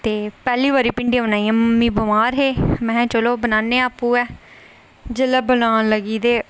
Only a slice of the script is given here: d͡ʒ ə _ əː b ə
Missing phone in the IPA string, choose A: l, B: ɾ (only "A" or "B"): A